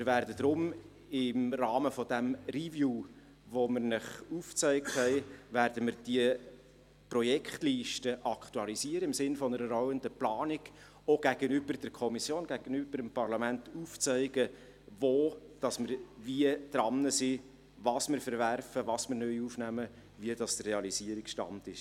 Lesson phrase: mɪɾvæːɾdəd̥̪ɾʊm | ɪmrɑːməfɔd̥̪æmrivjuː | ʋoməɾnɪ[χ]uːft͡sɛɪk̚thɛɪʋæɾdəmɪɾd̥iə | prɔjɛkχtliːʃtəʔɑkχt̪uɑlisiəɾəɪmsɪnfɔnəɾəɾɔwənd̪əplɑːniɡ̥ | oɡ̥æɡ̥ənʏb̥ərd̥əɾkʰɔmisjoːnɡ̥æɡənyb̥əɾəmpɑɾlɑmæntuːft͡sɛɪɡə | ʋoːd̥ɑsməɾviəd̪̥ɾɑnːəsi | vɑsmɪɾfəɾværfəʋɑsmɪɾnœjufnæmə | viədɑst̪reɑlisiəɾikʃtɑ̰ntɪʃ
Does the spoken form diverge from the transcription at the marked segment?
no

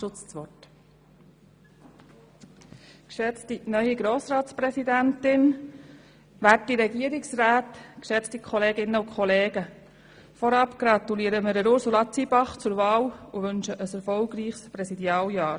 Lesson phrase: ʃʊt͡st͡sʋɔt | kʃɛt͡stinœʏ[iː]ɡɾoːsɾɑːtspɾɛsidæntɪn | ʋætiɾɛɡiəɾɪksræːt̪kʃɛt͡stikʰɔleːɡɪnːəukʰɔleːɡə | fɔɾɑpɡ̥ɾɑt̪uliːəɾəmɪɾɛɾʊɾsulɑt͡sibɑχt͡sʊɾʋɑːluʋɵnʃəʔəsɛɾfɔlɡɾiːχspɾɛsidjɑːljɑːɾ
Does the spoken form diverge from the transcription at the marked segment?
yes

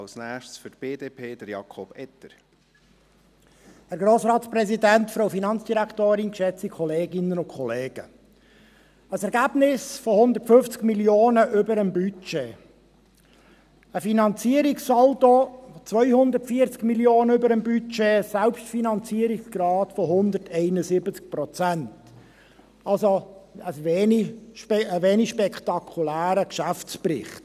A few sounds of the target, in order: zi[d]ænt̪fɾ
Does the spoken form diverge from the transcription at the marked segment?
no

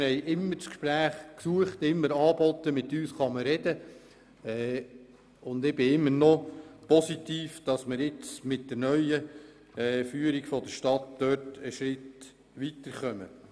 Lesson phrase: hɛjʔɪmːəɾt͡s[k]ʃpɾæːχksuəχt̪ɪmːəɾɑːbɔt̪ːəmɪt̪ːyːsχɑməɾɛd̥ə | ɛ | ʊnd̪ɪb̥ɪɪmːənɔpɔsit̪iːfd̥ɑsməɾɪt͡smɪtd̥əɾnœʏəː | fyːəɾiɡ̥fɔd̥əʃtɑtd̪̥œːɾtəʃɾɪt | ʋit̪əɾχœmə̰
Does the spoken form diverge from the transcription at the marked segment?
no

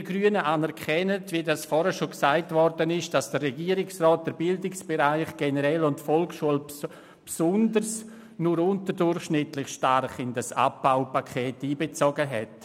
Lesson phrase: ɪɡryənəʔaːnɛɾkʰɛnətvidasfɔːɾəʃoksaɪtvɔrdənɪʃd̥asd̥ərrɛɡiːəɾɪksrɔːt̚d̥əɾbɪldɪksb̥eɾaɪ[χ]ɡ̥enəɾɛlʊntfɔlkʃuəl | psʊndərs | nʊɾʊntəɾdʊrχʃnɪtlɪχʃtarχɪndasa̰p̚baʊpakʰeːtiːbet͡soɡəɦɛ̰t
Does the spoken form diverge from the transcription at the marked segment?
no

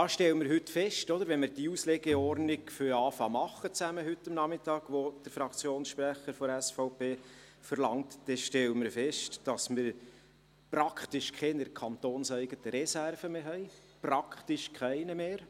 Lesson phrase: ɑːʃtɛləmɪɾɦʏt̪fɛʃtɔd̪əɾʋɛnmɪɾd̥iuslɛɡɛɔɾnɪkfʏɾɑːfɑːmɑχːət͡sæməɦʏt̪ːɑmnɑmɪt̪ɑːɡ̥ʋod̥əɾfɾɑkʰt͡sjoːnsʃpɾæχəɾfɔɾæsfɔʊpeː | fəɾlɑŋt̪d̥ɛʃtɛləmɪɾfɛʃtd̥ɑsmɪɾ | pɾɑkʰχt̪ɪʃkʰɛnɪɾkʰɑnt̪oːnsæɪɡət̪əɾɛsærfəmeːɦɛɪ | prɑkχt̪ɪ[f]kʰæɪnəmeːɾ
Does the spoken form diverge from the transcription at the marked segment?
yes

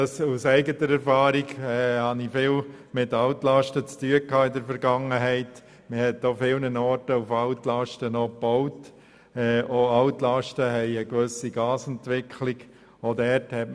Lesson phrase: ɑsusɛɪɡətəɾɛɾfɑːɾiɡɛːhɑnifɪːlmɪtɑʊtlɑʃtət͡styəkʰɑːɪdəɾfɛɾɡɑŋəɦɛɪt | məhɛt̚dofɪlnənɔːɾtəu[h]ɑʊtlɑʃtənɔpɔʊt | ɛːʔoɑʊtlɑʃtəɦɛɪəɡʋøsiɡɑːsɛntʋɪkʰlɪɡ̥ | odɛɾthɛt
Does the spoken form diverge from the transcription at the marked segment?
yes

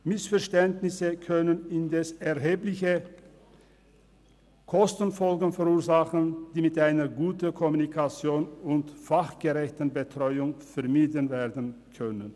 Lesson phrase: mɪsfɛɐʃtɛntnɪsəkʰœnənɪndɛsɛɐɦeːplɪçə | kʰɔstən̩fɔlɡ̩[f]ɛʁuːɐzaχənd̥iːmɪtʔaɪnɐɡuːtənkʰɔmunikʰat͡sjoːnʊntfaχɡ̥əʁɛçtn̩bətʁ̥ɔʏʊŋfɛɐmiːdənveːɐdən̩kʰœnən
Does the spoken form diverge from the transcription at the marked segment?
no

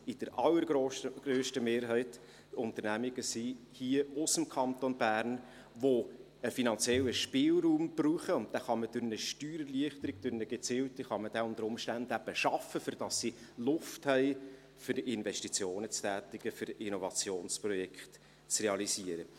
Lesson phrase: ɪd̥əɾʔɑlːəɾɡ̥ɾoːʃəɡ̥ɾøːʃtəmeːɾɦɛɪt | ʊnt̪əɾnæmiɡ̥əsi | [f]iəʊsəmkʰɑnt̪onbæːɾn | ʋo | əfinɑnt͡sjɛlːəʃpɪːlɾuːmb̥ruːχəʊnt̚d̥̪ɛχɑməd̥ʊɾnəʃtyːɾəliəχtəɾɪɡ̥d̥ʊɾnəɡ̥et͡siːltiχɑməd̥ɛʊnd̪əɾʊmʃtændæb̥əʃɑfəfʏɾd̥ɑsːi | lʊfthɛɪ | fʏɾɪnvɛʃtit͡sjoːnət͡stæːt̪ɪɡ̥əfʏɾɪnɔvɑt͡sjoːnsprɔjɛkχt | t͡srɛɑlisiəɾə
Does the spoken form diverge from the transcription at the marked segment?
yes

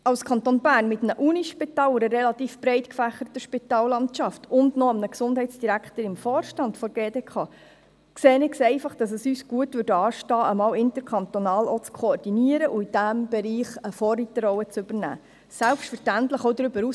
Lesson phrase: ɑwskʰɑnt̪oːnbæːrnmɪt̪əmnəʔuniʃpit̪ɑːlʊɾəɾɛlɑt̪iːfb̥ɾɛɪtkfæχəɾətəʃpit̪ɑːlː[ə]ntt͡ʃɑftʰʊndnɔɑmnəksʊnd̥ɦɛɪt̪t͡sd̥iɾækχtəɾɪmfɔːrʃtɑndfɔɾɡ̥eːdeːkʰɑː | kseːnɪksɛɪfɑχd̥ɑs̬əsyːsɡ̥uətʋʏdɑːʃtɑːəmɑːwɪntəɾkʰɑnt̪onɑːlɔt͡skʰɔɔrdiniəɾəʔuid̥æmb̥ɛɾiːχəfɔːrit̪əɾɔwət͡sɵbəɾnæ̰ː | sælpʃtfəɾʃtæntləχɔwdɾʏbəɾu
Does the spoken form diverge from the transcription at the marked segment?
yes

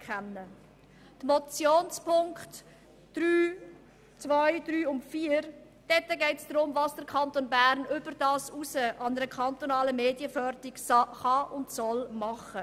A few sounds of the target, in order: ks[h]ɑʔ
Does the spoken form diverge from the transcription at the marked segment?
yes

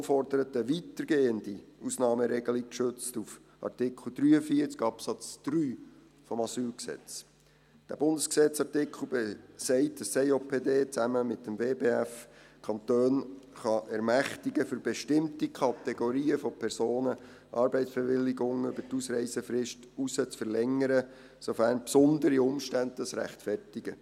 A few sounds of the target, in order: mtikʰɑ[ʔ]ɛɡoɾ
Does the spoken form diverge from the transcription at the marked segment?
yes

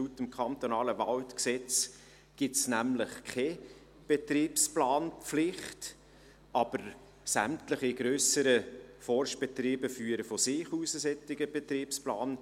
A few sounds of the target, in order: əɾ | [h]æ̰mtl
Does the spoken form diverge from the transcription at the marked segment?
yes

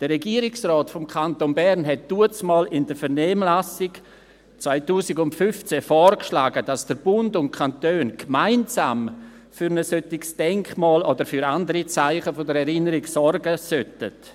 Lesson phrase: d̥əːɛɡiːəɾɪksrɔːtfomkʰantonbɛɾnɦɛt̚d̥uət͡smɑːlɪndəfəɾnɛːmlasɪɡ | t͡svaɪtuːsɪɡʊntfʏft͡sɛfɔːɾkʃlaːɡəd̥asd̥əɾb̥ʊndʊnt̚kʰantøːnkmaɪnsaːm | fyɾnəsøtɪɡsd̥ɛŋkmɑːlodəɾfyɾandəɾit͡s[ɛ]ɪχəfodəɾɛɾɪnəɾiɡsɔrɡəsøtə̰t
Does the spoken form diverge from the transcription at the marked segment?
yes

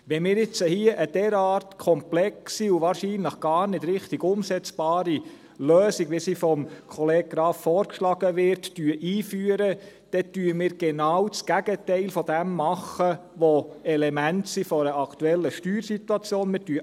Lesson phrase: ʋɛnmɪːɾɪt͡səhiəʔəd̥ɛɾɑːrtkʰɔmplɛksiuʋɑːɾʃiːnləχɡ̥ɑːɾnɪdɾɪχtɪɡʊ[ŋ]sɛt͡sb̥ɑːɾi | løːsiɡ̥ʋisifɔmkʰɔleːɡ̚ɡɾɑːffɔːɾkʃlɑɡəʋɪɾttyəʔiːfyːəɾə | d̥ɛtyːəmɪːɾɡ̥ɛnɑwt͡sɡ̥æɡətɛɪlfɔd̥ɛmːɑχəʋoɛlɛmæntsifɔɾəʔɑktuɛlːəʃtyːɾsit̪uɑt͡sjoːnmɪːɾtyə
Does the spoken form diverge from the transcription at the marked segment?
yes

